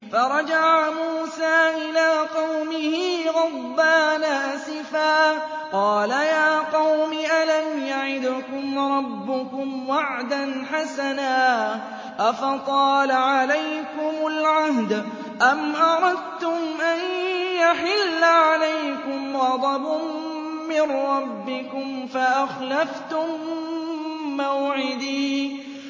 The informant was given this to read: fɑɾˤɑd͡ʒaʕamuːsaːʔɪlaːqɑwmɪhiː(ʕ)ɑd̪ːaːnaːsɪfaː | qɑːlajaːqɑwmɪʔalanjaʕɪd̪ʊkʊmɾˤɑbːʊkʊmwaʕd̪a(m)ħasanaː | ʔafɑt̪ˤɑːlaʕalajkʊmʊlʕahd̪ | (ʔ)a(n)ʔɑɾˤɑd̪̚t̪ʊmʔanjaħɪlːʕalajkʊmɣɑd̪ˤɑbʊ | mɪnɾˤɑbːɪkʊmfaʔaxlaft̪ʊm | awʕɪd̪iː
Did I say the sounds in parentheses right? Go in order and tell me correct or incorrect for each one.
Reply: incorrect, incorrect, correct, incorrect

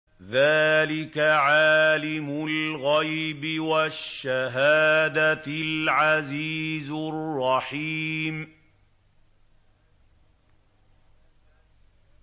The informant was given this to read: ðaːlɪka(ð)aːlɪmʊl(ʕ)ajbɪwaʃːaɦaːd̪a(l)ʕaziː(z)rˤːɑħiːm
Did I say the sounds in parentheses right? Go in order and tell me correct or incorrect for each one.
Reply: incorrect, incorrect, correct, correct

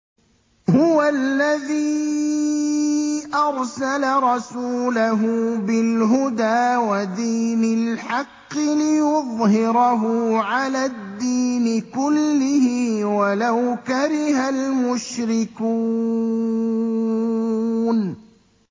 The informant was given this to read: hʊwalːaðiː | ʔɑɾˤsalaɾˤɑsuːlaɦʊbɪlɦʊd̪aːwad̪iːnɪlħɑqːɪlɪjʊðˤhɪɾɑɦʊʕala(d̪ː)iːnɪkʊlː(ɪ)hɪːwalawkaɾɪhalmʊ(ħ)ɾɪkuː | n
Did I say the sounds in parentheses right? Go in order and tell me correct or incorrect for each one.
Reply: correct, correct, incorrect

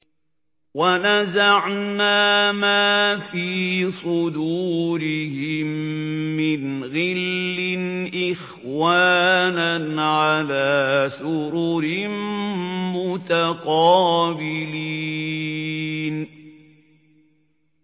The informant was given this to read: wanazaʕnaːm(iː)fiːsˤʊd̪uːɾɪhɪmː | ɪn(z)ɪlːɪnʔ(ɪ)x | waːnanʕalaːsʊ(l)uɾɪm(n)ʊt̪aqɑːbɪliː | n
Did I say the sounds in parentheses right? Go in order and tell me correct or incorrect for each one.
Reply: incorrect, incorrect, correct, incorrect, incorrect

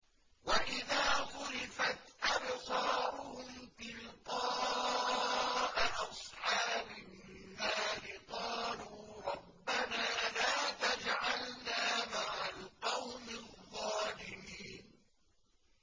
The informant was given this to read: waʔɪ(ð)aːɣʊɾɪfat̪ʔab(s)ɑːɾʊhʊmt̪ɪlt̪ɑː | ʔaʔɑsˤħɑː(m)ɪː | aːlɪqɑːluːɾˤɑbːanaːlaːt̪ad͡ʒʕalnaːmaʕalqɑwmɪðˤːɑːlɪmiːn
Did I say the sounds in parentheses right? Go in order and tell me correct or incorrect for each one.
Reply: correct, correct, incorrect

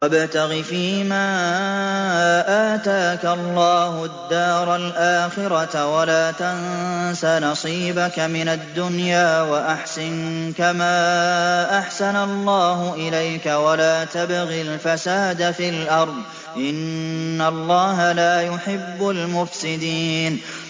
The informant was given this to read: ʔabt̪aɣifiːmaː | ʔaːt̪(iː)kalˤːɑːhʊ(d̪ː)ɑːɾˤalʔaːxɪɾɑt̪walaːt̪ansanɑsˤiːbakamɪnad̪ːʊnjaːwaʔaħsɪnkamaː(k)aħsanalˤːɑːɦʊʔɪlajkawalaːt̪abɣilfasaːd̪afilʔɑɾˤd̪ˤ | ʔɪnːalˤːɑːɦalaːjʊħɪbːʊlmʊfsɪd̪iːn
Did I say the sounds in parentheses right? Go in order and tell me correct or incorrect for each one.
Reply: incorrect, correct, incorrect

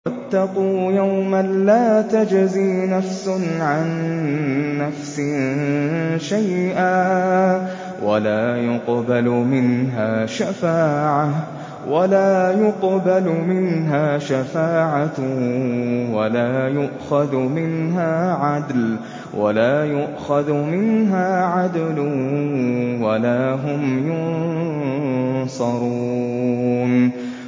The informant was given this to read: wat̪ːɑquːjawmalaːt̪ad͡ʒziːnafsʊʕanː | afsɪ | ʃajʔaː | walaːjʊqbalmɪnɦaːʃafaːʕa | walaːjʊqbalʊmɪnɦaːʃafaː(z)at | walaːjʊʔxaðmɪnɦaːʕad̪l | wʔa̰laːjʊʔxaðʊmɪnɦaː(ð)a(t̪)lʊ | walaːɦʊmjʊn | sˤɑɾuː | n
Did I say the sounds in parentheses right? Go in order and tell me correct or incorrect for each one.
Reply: incorrect, incorrect, incorrect

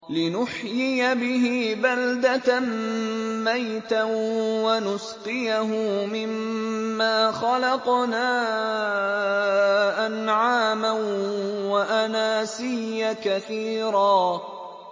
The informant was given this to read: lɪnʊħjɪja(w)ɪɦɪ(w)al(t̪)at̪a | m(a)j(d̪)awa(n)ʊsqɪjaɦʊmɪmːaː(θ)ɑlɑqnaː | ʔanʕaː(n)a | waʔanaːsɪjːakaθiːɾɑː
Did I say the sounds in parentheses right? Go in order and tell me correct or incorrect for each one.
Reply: incorrect, incorrect, incorrect, correct, incorrect, correct, incorrect, incorrect

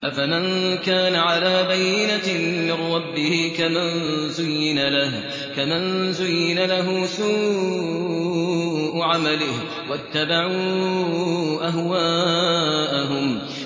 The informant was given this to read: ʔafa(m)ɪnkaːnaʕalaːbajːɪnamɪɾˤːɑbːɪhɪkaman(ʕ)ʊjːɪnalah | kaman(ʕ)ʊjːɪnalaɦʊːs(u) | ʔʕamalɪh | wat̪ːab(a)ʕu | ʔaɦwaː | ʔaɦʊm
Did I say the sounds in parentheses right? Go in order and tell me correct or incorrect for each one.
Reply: correct, incorrect, incorrect, incorrect, correct

